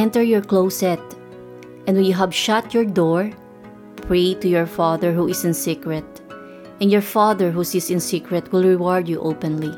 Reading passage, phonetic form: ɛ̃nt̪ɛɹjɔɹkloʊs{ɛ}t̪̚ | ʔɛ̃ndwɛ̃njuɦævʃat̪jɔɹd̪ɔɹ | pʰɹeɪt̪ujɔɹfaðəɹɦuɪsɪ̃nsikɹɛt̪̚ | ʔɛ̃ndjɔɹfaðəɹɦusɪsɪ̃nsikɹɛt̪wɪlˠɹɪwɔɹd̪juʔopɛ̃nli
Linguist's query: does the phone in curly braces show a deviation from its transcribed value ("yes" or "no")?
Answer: no